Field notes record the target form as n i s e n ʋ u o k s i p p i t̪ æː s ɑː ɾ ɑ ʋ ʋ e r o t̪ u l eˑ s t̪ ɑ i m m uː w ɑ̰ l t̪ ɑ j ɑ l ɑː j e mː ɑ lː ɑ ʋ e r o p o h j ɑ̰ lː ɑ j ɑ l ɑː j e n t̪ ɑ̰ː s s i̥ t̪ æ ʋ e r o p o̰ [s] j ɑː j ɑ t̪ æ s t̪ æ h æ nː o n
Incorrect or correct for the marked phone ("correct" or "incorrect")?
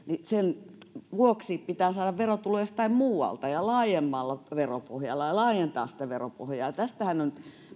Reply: incorrect